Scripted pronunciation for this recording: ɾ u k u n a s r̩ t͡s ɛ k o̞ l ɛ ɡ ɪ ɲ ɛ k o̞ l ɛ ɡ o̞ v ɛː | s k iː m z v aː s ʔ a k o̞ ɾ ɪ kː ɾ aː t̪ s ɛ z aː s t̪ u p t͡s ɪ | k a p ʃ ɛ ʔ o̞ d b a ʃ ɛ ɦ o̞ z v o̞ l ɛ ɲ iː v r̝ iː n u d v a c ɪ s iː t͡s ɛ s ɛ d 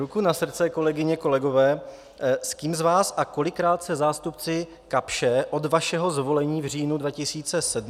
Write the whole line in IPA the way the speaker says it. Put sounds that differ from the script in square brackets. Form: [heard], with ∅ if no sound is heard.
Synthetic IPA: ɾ u k u n a s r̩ t͡s ɛ k o̞ l ɛ ɡ ɪ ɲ ɛ k o̞ l ɛ ɡ o̞ v ɛː | s k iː m z v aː s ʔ a k o̞ [l] ɪ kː ɾ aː t̪ s ɛ z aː s t̪ u p t͡s ɪ | k a p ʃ ɛ ʔ o̞ d [v] a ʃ ɛ ɦ o̞ z v o̞ l ɛ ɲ iː v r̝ iː n u d v a c ɪ s iː t͡s ɛ s ɛ d